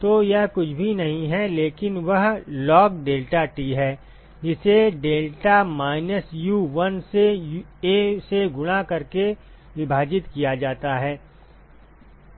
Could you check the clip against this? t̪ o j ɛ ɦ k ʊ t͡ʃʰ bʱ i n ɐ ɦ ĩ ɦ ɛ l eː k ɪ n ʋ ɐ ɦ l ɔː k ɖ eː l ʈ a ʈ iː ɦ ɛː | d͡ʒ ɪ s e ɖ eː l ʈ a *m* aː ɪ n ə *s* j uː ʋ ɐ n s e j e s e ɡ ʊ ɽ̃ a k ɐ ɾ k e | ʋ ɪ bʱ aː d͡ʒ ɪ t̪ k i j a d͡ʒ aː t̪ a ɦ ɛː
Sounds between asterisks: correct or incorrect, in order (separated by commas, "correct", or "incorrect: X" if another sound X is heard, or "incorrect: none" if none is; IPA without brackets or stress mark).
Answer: correct, correct